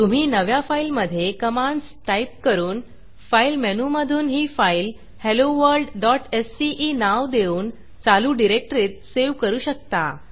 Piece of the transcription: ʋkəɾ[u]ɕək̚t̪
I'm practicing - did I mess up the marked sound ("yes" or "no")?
yes